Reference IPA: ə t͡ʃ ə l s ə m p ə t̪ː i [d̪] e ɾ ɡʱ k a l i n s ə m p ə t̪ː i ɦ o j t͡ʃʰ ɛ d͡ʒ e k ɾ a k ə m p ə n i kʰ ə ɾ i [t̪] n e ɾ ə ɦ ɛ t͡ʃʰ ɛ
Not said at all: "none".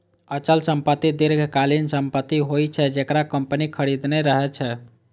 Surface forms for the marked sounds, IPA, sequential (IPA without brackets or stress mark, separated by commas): d̪, d̪